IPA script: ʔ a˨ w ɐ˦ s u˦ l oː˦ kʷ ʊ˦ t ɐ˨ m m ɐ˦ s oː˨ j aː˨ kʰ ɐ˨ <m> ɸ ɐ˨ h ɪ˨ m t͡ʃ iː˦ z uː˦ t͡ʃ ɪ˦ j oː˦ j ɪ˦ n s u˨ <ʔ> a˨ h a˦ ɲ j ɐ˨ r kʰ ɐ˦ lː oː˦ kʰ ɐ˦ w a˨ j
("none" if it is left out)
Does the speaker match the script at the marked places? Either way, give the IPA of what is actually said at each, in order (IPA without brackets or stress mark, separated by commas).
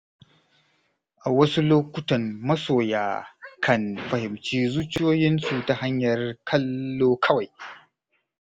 n, t